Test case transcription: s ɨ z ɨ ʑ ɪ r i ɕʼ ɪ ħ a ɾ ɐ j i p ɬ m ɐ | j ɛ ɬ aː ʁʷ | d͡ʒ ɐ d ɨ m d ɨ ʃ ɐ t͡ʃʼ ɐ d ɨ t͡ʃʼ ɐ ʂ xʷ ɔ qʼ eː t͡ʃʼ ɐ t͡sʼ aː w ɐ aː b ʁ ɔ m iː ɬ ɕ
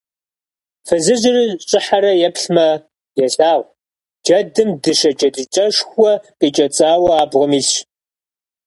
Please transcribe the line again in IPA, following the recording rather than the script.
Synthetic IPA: f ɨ z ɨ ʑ ɪ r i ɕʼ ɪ ħ a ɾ ɐ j ɛ p ɬ m ɐ | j ɛ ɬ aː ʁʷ | d͡ʒ ɐ d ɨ m d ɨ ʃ ɐ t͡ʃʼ ɐ d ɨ t͡ʃʼ ɐ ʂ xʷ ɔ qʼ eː t͡ʃʼ ɐ t͡sʼ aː w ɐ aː b ʁ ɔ m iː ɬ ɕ